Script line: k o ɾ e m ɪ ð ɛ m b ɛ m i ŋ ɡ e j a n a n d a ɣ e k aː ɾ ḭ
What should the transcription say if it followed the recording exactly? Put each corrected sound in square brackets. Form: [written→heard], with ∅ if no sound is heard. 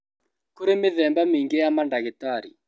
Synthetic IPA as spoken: k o ɾ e m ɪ ð ɛ m b [ɛ→a] m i ŋ ɡ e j a [n→m] a n d a ɣ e [k→t] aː ɾ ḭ